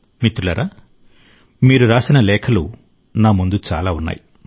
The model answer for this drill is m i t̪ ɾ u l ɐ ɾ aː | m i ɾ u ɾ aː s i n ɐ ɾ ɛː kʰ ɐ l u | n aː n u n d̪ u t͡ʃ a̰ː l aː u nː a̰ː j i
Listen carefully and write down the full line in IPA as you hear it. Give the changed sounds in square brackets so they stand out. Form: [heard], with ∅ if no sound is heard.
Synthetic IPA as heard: m i t̪ ɾ u l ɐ ɾ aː | m [iː] ɾ u ɾ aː s i n ɐ [l] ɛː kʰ ɐ l u | n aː [m] u n d̪ u t͡ʃ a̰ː l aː u nː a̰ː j i